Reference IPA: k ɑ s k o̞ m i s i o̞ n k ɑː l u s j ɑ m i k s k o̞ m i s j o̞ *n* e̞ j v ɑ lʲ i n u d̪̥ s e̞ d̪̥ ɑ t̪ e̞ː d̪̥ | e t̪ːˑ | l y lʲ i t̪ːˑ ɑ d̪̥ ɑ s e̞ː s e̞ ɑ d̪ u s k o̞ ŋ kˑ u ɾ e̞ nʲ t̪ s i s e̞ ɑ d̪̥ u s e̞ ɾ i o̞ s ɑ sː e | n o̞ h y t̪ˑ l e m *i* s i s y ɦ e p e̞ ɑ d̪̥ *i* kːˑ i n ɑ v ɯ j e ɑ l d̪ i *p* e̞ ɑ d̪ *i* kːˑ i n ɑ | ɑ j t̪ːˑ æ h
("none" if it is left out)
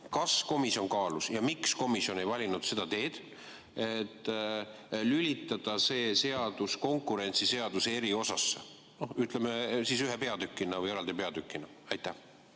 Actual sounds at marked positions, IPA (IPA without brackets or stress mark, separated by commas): n, e, y, p, y